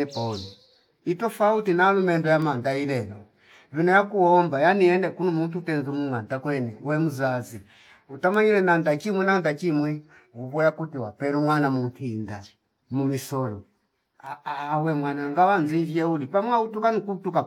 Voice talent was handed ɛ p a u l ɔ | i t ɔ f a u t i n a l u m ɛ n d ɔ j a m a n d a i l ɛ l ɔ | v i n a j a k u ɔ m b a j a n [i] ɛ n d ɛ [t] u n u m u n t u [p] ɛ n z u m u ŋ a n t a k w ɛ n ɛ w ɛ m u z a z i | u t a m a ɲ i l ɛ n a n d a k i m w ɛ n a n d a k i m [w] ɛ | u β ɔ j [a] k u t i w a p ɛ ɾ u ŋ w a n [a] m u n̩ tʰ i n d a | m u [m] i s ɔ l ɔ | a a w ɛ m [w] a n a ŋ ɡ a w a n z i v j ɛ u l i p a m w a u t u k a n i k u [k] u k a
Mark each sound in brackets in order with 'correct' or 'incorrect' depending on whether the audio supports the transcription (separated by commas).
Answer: correct, incorrect, incorrect, correct, correct, correct, correct, correct, incorrect